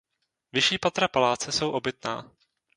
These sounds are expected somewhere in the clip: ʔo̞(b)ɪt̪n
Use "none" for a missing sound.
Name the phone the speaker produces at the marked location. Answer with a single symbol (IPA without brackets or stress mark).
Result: b